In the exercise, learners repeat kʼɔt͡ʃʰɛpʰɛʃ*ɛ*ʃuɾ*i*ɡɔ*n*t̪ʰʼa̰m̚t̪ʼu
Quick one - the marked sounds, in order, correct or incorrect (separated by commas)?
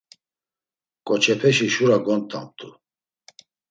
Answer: incorrect, incorrect, correct